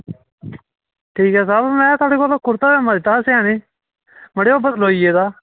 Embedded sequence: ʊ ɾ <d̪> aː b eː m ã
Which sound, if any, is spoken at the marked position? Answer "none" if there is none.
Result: t̪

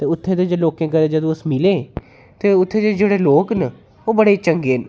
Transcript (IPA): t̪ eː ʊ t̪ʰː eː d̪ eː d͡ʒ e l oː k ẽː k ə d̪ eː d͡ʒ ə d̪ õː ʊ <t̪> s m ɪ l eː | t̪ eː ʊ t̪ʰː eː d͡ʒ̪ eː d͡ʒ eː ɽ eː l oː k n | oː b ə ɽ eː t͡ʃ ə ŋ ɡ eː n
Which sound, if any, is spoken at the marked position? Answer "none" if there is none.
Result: none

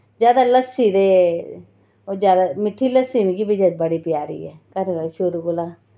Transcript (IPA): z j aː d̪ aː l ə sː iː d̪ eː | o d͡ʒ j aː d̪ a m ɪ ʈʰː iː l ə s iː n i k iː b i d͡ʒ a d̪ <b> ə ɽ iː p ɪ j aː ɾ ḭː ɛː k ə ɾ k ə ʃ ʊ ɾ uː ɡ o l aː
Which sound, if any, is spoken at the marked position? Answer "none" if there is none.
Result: b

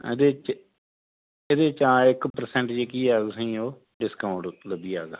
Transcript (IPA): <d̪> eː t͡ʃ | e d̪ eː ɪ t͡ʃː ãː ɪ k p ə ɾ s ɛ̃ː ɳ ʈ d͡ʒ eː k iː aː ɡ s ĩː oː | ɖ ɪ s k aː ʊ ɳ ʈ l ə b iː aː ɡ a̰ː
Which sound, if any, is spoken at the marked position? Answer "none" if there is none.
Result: d̪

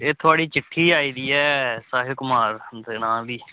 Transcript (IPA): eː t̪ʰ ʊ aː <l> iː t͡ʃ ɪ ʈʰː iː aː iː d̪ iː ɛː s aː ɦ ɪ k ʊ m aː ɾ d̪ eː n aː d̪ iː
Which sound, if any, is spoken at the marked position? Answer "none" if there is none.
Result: ɽ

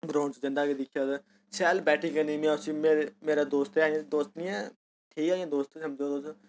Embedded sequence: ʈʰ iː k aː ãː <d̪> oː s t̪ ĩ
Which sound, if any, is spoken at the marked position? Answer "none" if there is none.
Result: d̪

